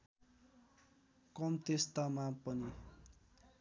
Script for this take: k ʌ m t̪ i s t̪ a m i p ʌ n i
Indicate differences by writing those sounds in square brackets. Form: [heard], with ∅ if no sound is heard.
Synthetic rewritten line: k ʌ m t̪ [e] s t̪ a m [a] p ʌ n i